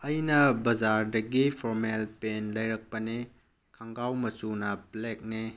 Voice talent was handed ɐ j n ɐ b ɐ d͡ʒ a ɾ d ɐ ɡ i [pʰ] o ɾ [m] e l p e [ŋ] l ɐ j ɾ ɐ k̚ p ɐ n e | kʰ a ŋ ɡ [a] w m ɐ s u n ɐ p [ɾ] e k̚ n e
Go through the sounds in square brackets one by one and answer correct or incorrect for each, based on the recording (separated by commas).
correct, correct, incorrect, correct, incorrect